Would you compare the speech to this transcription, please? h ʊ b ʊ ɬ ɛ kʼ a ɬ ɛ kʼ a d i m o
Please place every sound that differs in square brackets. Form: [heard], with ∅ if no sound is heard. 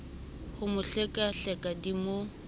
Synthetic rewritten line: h ʊ [m] ʊ ɬ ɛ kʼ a ɬ ɛ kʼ a d i m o